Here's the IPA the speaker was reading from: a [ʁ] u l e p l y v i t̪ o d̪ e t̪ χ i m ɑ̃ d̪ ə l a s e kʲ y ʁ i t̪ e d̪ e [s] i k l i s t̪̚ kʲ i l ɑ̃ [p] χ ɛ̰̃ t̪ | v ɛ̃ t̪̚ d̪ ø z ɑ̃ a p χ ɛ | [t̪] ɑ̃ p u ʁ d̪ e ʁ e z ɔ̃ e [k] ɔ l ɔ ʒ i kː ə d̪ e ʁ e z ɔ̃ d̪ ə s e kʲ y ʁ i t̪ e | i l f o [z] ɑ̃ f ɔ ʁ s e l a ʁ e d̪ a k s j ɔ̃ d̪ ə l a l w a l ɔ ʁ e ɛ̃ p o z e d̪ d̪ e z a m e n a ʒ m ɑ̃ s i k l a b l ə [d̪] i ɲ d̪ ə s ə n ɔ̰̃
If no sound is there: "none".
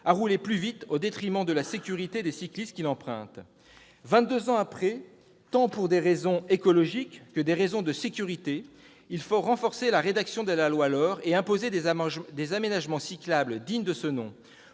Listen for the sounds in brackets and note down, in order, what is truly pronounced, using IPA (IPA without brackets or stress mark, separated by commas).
ʁ, s, p, t̪, k, ʁ, d̪